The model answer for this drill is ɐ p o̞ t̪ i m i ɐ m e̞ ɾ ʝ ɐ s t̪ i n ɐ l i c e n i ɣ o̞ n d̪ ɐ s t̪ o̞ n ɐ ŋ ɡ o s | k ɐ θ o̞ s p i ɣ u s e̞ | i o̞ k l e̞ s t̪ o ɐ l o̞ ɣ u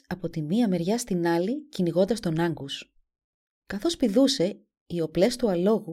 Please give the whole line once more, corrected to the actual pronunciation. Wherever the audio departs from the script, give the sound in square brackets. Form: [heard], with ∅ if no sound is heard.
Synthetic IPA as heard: ɐ p o̞ t̪ i m i ɐ m e̞ ɾ ʝ ɐ s t̪ i n ɐ l i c [i] n i ɣ o̞ n d̪ ɐ s t̪ o̞ n ɐ ŋ ɡ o s | k ɐ θ o̞ s p i [ð] u s e̞ | i o̞ [p] l e̞ s t̪ [u] ɐ l o̞ ɣ u